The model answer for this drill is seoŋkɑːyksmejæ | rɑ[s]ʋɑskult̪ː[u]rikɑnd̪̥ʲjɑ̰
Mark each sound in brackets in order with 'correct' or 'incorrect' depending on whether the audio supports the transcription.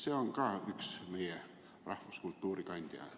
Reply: incorrect: h, incorrect: uː

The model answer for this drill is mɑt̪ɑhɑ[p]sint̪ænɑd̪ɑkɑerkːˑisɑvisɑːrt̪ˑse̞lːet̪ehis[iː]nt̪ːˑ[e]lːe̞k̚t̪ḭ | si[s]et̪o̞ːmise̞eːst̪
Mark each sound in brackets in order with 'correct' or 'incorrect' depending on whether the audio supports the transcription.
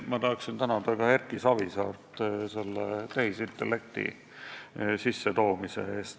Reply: incorrect: k, incorrect: i, correct, incorrect: sː

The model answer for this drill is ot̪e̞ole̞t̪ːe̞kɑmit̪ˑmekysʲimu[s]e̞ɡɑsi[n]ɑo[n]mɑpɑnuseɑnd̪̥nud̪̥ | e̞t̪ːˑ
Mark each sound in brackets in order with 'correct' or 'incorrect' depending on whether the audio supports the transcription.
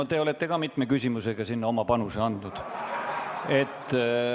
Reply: correct, incorrect: nː, incorrect: none

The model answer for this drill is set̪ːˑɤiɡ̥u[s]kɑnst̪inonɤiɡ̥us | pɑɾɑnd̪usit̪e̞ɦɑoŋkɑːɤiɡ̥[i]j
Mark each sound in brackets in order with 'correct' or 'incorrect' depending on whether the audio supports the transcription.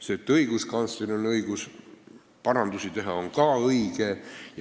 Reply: correct, incorrect: e

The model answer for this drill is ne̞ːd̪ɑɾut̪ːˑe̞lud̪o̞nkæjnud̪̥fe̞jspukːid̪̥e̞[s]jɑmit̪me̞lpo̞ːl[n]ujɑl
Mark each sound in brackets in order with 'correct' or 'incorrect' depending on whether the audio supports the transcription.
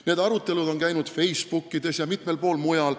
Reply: correct, incorrect: m

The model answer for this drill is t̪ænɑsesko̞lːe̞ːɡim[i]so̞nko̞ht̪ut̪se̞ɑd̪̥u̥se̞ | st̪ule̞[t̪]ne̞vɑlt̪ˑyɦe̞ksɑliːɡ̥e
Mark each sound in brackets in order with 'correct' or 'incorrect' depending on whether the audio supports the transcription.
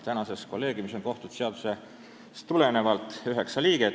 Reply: correct, incorrect: none

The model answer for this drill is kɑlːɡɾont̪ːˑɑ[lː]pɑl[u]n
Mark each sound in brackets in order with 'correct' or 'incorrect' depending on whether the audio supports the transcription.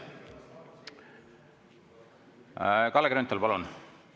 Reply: incorrect: l, correct

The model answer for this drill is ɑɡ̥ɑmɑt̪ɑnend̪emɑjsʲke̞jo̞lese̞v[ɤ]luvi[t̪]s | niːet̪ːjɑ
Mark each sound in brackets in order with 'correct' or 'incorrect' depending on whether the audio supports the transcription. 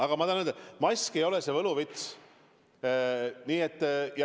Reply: correct, correct

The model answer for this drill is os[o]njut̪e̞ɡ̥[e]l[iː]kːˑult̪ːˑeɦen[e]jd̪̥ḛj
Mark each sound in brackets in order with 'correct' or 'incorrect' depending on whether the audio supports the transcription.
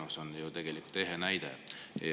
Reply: correct, correct, incorrect: i, incorrect: æ

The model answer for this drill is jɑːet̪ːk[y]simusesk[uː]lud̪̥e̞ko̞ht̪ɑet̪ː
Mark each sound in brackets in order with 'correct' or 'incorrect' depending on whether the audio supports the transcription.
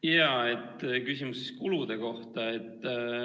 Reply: correct, incorrect: u

